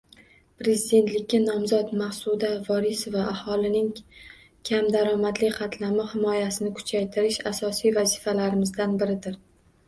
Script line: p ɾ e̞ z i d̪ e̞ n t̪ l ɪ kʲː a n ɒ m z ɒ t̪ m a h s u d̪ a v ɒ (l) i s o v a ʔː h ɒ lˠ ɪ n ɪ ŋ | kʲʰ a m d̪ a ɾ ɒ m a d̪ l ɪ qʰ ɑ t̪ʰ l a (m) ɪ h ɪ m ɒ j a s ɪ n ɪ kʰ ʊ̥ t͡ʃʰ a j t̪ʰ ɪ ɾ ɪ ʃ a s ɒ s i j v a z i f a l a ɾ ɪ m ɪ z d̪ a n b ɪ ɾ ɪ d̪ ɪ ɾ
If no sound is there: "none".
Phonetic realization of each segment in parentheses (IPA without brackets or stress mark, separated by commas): ɾ, m